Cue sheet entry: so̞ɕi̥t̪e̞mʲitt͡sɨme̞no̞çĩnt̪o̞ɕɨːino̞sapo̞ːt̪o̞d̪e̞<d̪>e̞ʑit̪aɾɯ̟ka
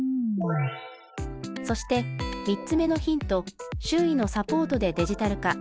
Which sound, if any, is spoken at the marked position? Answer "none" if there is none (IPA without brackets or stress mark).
d̪